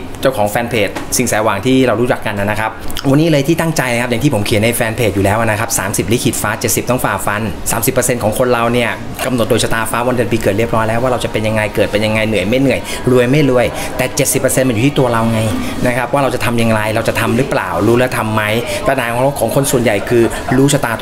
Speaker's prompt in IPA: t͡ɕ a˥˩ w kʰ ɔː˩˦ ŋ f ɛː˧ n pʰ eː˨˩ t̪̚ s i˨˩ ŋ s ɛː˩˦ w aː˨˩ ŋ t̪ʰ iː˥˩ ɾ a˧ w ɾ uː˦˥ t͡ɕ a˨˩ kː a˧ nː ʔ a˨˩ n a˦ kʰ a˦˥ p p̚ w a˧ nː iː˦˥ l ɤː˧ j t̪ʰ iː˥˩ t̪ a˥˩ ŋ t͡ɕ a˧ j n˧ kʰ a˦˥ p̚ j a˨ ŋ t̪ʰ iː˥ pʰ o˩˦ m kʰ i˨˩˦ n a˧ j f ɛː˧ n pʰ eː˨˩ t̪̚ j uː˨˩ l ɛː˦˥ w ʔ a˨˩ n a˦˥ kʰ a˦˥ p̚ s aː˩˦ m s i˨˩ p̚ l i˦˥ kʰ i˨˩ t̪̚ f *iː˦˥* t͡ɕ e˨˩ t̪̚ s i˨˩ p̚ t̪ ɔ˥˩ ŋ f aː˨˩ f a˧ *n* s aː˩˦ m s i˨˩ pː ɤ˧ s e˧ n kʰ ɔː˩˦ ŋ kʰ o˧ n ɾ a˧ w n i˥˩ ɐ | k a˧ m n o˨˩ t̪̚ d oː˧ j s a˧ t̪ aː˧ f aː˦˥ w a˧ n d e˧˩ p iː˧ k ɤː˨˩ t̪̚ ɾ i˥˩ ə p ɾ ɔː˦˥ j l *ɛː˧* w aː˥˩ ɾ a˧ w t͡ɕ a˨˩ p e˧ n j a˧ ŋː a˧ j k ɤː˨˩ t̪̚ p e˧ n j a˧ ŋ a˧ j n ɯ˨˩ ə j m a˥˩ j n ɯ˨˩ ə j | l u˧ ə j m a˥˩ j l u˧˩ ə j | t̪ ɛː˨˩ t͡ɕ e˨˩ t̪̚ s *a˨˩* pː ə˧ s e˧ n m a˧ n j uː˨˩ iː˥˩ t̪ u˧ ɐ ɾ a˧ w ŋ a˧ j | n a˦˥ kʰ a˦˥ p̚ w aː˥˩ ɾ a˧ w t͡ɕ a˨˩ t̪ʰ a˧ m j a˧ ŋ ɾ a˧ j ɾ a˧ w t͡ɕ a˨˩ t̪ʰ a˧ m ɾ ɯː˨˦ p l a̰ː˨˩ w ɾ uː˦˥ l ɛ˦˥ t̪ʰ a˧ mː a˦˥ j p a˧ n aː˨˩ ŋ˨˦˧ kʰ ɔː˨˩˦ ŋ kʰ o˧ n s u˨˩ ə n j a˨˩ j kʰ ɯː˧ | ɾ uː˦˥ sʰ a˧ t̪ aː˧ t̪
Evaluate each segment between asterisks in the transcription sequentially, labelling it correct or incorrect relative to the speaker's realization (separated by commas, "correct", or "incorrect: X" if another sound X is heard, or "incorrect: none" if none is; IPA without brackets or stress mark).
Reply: incorrect: aː˦˥, correct, incorrect: ɛː˦˥, incorrect: i˨˩